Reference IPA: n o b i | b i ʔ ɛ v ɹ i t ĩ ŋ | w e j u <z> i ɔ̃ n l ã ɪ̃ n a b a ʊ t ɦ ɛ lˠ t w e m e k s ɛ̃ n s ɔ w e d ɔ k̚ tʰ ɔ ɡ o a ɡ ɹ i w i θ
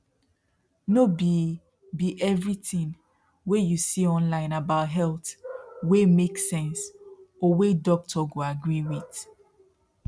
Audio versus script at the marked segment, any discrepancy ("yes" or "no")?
yes